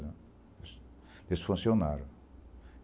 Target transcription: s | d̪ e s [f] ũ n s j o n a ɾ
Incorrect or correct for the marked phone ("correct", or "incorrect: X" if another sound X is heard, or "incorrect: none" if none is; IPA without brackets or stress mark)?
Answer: correct